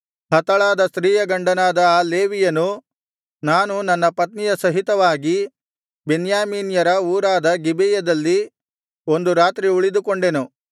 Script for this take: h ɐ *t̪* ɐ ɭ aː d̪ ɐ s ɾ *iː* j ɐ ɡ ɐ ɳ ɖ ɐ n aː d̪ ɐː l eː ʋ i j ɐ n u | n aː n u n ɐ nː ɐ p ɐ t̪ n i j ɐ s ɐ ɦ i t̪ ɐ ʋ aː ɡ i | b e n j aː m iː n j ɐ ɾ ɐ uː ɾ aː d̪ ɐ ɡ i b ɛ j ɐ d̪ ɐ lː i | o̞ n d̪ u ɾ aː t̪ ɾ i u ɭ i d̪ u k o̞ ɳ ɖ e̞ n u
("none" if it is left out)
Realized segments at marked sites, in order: t̪, iː

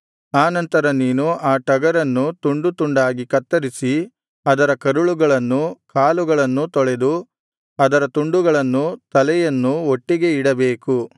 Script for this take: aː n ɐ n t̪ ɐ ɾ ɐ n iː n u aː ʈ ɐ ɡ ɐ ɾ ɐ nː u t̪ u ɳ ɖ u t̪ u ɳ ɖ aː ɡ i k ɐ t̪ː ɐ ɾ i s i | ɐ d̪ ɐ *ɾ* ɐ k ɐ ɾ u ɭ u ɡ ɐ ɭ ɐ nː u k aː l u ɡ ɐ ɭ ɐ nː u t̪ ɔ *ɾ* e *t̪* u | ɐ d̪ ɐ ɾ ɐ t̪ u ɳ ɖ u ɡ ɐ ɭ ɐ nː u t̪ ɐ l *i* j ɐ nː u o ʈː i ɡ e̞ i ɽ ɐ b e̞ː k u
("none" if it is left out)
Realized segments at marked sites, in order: ɾ, ɭ, d̪, ɛ

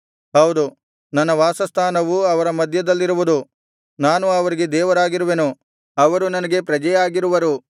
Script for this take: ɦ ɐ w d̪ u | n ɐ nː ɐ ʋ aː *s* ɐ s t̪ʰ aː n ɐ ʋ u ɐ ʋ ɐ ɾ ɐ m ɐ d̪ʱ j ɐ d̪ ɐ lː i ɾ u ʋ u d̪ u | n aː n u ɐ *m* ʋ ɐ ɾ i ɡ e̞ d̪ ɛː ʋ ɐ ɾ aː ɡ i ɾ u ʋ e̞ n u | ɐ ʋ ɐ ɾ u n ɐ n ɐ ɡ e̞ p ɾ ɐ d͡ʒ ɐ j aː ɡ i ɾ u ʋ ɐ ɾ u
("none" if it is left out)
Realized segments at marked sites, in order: s, none

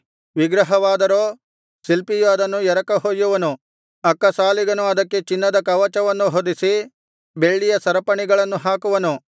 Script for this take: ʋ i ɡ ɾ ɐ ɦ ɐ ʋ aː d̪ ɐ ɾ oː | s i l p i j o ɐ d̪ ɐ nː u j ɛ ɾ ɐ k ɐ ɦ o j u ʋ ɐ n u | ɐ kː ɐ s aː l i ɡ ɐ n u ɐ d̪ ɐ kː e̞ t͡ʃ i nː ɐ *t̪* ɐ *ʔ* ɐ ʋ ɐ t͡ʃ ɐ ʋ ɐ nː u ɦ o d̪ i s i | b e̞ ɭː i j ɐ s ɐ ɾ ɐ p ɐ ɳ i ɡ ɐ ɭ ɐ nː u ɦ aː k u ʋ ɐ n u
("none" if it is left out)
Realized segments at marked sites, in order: d̪, k

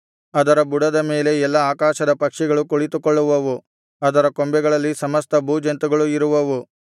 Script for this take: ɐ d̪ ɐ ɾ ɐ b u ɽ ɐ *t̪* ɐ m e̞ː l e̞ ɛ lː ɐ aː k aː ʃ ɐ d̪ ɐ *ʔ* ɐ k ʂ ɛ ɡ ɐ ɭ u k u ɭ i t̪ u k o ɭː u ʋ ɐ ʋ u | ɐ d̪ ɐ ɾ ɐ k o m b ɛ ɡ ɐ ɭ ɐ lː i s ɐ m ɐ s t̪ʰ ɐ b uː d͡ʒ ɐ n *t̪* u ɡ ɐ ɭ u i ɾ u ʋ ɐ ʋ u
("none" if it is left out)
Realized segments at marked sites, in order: d̪, p, t̪

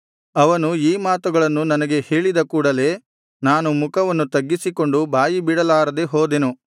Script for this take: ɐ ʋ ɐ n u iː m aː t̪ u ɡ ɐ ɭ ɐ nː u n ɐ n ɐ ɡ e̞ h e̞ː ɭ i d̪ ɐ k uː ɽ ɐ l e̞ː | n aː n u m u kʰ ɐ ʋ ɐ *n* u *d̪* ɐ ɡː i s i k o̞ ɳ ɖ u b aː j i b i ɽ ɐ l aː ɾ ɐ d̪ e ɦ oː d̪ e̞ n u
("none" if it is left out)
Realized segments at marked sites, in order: nː, t̪

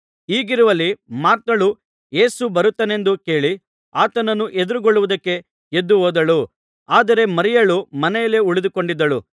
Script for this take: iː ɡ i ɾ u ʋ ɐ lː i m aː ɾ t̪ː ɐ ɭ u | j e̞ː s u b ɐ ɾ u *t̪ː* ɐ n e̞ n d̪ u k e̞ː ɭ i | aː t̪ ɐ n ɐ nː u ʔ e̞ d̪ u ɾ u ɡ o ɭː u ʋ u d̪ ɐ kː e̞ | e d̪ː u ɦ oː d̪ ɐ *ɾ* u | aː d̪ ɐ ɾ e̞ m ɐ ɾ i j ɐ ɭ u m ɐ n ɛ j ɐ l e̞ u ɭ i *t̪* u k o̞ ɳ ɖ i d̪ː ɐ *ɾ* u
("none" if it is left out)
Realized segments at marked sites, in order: t̪ː, ɭ, d̪, ɭ

